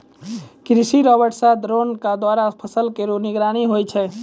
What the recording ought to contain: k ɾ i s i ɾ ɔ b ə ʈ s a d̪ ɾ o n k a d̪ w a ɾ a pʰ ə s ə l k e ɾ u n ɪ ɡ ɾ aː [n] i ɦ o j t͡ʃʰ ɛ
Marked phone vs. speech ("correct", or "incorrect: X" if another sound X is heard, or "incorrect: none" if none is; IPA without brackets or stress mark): correct